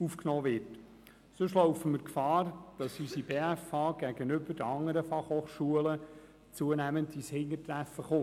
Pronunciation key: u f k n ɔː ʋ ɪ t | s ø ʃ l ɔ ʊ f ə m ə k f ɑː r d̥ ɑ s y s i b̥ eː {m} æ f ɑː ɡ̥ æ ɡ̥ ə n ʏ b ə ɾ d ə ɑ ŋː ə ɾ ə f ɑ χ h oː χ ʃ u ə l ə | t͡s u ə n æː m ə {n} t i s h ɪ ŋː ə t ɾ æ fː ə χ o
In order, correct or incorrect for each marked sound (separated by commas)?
incorrect, correct